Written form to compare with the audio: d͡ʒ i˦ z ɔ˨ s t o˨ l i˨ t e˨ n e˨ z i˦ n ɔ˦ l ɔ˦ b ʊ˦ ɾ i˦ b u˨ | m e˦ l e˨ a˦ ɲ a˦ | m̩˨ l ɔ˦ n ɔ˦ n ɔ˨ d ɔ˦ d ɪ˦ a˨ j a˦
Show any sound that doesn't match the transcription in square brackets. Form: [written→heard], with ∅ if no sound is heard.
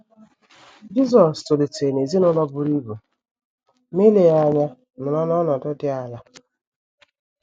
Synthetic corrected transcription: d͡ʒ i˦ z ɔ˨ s t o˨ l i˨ t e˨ n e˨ z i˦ n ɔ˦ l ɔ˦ b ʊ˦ ɾ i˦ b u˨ | m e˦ l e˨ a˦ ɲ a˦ | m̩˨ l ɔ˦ n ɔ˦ n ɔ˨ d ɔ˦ d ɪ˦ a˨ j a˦

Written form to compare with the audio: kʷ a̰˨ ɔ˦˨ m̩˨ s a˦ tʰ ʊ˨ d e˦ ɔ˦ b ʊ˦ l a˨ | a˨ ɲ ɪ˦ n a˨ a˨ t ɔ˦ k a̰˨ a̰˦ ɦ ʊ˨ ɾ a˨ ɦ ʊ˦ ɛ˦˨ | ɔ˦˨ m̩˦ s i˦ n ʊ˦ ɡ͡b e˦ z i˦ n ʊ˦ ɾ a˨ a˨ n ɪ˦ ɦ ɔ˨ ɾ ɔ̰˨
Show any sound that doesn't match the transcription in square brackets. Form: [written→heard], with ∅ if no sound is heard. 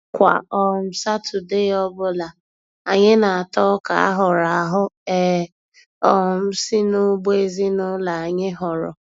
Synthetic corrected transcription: kʷ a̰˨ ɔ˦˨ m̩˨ s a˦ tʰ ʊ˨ d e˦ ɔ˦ b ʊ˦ l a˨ | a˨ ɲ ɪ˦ n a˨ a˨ t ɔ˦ k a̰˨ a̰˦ ɦ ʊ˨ ɾ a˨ ɦ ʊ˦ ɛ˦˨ | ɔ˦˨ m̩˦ s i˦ n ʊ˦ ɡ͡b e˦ z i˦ n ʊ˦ [ɾ→l] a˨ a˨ [n→ɲ] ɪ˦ ɦ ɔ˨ ɾ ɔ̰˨

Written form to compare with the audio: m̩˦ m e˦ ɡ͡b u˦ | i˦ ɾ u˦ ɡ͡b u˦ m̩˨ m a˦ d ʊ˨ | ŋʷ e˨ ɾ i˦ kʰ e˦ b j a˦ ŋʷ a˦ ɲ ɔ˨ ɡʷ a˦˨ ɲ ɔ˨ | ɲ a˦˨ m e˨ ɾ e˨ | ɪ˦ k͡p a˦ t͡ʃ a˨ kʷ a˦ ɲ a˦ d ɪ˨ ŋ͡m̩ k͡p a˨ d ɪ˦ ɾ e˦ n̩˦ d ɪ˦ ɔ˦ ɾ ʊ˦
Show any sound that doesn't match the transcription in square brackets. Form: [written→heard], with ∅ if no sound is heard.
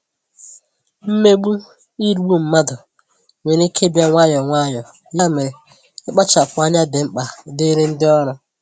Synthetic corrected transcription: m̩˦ m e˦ ɡ͡b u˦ | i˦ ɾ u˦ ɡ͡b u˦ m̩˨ m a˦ d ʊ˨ | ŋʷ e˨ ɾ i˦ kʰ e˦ b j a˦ ŋʷ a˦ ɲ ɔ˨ [ɡʷ→ŋʷ] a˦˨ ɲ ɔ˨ | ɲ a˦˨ m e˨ ɾ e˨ | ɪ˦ k͡p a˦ t͡ʃ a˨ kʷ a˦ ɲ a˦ d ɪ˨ ŋ͡m̩ k͡p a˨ d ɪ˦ ɾ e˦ n̩˦ d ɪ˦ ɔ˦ ɾ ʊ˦

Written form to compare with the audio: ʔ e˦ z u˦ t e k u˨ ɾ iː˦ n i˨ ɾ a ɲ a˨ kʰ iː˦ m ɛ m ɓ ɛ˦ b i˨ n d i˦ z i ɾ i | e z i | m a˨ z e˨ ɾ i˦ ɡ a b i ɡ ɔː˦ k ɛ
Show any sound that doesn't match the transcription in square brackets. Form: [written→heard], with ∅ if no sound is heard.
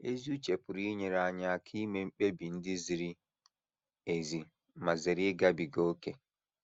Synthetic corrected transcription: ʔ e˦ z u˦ [t→t͡ʃ] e [k→p] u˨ ɾ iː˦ [n→ɲ] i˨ ɾ a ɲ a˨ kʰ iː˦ m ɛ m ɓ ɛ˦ b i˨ n d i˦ z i ɾ i | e z i | m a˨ z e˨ ɾ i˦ ɡ a b i ɡ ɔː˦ k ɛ

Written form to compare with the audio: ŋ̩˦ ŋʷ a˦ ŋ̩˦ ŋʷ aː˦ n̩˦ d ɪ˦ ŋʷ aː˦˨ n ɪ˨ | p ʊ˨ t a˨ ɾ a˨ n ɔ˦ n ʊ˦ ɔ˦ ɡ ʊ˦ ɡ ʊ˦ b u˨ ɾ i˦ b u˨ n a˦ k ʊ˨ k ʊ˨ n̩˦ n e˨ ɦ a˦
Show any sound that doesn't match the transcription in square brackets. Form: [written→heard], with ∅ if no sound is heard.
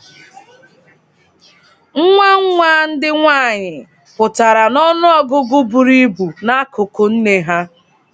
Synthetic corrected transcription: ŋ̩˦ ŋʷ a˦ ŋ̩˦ ŋʷ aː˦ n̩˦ d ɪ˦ ŋʷ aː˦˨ [n→ɲ] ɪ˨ | p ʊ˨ t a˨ ɾ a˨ n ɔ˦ n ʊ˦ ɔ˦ ɡ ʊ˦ ɡ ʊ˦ b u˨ ɾ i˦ b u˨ n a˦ k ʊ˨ k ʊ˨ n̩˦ n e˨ ɦ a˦

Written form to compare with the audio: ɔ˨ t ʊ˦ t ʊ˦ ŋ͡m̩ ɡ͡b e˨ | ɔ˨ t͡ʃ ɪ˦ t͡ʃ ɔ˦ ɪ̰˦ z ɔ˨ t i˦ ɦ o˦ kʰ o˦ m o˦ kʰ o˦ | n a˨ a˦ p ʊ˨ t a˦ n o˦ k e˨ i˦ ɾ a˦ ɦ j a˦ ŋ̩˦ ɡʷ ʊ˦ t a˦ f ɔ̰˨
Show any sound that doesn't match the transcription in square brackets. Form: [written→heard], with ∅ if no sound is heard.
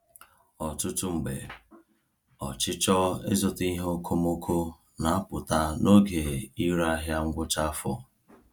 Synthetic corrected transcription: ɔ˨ t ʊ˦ t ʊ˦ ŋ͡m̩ ɡ͡b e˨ | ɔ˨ t͡ʃ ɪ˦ t͡ʃ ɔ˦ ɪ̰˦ z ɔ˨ t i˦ ɦ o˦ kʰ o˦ m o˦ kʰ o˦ | n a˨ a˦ p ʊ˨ t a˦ n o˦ [k→ɡ] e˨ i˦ ɾ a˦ ɦ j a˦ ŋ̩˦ ɡʷ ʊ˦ [t→t͡ʃ] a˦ f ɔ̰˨

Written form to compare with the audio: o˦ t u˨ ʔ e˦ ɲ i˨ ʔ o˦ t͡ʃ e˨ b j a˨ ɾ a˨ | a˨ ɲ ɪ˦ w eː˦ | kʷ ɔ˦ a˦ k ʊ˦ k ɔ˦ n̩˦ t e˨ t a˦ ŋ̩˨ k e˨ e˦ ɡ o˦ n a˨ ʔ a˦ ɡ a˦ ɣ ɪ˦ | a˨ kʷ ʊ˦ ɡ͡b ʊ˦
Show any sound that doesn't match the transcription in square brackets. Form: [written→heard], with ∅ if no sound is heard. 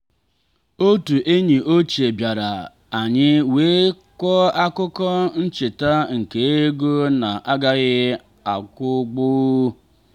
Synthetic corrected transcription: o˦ t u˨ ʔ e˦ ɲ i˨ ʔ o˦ t͡ʃ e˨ b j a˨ ɾ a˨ | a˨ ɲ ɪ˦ w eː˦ | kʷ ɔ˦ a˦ k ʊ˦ k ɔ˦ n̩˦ [t→t͡ʃ] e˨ t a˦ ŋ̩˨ k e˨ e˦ ɡ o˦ n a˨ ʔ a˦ ɡ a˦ ɣ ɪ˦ | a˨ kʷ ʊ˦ ɡ͡b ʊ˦

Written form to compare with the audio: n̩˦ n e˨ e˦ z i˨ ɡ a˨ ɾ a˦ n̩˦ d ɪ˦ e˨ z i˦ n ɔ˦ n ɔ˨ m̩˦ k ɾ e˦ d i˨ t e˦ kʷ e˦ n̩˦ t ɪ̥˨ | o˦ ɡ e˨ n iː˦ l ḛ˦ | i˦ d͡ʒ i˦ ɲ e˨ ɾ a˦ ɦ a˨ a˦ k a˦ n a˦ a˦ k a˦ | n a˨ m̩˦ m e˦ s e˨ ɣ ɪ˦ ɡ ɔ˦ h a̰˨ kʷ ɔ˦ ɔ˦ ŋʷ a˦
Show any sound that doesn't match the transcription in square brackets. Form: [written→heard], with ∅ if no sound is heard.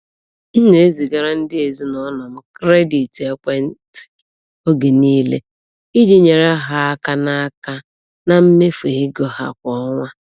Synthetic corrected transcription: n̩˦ n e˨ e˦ z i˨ ɡ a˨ ɾ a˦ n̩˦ d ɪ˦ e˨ z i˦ n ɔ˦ n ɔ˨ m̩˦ k ɾ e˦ d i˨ t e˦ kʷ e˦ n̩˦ t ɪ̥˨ | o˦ ɡ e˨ n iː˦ l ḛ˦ | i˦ d͡ʒ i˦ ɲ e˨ ɾ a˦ ɦ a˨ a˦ k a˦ n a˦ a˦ k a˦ | n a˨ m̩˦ m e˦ [s→f] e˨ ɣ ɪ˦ ɡ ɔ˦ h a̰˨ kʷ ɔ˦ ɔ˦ ŋʷ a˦

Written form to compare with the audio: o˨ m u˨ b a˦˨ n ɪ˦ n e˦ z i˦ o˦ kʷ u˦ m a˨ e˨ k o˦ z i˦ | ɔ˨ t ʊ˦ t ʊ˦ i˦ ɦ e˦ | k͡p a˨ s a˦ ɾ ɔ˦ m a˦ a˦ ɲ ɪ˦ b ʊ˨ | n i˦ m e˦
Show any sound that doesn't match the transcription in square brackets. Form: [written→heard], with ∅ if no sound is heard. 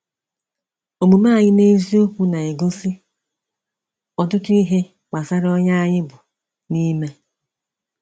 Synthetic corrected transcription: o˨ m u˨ [b→m] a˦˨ [n→ɲ] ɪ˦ n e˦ z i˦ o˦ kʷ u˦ [m→n] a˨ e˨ [k→ɡ] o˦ [z→s] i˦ | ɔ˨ t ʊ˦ t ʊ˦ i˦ ɦ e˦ | k͡p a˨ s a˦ ɾ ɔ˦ [m→ɲ] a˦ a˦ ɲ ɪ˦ b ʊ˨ | n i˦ m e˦

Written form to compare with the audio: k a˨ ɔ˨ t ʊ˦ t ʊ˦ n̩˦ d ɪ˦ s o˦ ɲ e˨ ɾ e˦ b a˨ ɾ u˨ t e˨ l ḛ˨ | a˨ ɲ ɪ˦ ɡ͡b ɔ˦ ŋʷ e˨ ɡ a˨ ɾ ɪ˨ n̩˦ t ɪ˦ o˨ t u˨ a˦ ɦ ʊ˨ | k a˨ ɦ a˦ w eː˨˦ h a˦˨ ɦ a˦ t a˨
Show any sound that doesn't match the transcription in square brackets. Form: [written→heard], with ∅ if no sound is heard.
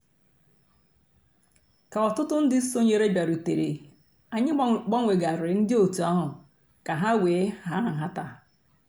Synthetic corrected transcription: k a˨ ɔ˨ t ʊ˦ t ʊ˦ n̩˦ d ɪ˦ s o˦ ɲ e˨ ɾ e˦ b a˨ ɾ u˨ t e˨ [l→ɾ] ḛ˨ | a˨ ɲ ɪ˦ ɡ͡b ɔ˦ ŋʷ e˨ ɡ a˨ ɾ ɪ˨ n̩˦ [t→d] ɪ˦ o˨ t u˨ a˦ ɦ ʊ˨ | k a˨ ɦ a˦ w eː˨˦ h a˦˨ ɦ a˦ t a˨

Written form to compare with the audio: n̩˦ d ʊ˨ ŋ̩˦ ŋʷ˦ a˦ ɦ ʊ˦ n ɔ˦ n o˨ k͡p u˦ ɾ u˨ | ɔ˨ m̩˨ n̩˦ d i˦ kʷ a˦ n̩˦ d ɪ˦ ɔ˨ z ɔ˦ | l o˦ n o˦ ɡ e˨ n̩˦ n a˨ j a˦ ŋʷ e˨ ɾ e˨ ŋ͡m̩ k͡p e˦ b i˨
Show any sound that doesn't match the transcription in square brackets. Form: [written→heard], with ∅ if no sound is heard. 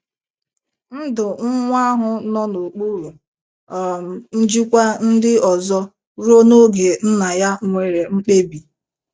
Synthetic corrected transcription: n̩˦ d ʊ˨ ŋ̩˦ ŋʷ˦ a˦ ɦ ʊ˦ n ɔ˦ n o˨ k͡p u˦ ɾ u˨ | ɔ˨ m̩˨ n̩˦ [d→d͡ʒ] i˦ kʷ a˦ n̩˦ d ɪ˦ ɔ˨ z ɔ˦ | [l→ɾ] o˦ n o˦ ɡ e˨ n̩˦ n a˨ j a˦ ŋʷ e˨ ɾ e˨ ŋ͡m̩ k͡p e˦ b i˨

